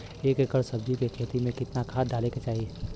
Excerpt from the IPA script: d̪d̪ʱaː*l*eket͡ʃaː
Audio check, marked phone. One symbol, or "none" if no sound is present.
l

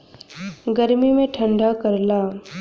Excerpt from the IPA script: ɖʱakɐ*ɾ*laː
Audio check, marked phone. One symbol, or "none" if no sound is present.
ɾ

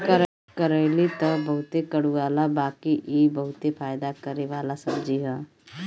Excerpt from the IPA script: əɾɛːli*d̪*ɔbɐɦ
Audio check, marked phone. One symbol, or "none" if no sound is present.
t̪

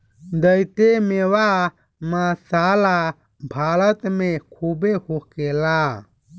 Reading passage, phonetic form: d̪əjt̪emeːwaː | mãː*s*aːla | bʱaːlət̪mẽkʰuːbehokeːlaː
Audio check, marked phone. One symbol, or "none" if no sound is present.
s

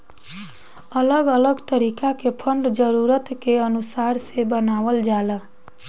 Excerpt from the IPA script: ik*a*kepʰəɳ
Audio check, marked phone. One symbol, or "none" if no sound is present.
a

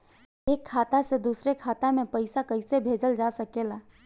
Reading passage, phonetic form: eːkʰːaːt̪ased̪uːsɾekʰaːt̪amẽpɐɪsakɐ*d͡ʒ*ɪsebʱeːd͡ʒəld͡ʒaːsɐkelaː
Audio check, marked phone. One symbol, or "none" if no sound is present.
none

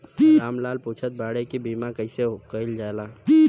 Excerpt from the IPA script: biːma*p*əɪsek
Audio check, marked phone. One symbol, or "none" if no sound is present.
k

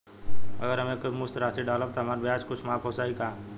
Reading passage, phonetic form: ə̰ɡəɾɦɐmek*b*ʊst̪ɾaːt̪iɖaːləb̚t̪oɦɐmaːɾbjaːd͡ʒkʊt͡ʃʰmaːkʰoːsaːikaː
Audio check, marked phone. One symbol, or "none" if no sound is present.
m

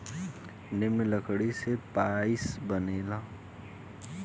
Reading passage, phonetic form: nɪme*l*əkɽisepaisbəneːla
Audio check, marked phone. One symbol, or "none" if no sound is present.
l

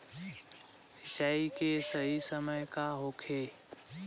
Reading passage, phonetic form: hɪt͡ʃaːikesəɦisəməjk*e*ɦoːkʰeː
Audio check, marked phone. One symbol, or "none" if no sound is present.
a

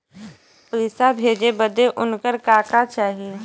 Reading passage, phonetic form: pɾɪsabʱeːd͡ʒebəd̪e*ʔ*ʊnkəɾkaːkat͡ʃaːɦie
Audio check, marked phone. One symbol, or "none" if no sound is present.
ʔ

